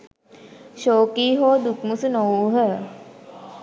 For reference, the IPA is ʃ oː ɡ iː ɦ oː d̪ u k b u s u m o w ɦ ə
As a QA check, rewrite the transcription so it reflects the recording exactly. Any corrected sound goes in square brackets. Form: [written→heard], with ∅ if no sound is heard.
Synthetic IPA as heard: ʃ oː [ɡ→k] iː ɦ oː d̪ u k [b→m] u s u [m→n] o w ɦ ə